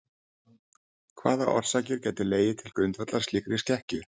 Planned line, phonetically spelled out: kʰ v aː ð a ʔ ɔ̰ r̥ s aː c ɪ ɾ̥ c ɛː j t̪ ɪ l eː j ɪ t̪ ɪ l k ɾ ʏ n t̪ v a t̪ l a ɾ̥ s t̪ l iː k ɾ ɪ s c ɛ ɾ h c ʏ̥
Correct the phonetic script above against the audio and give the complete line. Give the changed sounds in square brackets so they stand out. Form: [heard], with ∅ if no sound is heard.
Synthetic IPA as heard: kʰ v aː ð a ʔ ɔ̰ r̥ s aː c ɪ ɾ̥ c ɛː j t̪ ɪ l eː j ɪ [t̪ʰ] ɪ l k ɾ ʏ n t̪ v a t̪ l a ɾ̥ s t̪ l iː k ɾ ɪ s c ɛ [∅] h c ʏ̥